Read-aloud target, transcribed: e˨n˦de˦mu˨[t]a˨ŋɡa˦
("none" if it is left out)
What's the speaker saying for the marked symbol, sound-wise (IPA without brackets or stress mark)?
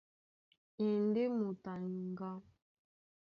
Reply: t